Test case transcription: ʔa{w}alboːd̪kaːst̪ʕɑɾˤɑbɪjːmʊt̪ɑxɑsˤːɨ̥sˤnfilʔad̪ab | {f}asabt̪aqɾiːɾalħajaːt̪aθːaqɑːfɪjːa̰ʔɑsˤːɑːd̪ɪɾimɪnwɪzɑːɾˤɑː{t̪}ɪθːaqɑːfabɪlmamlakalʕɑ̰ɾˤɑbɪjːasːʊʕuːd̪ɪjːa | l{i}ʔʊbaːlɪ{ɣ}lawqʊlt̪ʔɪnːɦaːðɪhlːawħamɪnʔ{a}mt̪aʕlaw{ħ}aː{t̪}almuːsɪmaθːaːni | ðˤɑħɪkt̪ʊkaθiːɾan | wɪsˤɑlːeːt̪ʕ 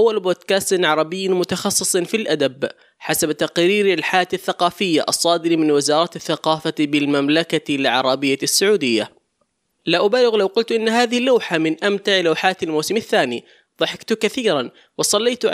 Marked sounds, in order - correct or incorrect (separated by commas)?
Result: incorrect, incorrect, correct, incorrect, correct, correct, correct, correct